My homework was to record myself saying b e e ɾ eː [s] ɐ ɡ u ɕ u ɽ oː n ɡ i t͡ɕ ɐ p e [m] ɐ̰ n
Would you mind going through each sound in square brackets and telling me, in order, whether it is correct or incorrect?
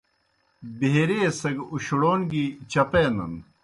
correct, incorrect

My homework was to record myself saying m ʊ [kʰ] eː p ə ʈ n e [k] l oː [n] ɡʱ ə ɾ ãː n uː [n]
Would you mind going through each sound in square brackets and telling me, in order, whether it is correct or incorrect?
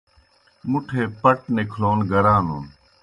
incorrect, incorrect, correct, correct

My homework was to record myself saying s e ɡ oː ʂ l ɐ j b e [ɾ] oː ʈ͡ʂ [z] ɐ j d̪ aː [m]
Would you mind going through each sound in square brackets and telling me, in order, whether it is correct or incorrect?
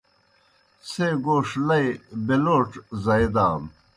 incorrect, correct, correct

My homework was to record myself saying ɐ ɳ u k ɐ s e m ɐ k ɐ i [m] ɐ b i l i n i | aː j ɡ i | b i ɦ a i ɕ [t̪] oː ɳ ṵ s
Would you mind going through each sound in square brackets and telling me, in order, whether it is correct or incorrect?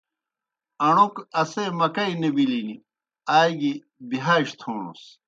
incorrect, incorrect

